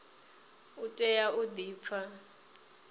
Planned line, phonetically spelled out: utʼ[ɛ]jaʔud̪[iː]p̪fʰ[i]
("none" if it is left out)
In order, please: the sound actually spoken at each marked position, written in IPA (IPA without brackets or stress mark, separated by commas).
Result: ɛ, iː, a